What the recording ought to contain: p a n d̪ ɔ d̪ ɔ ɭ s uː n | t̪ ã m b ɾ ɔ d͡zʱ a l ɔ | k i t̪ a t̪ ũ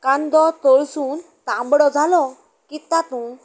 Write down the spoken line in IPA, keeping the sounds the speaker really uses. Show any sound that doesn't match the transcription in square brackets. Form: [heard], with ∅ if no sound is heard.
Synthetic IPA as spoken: [k] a n d̪ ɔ [t̪] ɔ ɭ s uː n | t̪ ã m b [ɽ] ɔ d͡zʱ a l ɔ | k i t̪ a t̪ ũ